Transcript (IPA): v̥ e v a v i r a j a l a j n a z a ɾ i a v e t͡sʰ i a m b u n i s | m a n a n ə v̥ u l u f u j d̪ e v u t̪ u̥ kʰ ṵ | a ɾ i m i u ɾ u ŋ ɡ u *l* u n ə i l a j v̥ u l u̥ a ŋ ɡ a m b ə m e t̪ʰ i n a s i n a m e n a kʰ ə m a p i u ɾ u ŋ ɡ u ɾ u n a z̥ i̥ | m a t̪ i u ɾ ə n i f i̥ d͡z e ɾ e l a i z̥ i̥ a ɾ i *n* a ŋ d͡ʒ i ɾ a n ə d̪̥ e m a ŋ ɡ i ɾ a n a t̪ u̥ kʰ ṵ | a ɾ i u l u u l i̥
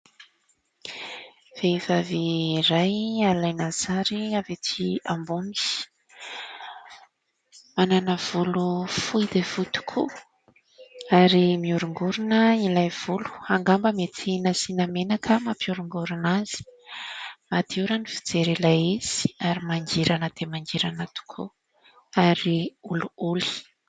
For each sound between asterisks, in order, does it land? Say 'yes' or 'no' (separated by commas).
no, no